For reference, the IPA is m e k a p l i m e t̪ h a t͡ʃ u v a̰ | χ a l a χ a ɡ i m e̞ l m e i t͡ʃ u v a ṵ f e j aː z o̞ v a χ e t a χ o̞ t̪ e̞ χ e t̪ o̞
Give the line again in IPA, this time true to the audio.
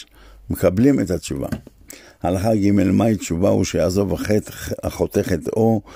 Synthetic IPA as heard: m e k a b l i m e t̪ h a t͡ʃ u v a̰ | h a l a χ a ɡ i m e̞ l m a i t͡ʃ u v a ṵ ʃ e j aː z o̞ v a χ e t a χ o̞ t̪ e̞ χ e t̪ o̞